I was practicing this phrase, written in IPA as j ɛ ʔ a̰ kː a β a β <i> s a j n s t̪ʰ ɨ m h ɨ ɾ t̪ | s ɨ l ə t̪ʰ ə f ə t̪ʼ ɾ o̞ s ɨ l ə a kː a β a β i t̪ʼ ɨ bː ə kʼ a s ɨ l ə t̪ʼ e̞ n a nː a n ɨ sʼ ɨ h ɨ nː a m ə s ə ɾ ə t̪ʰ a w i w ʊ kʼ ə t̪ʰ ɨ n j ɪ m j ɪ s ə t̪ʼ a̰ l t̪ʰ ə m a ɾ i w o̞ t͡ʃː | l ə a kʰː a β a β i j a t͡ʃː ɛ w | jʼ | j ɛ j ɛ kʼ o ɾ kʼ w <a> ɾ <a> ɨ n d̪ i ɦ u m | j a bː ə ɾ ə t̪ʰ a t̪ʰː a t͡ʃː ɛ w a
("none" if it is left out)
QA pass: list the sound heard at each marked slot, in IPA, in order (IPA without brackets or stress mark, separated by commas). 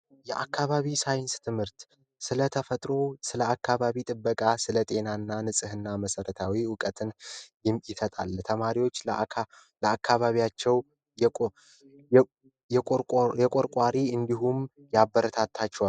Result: i, a, i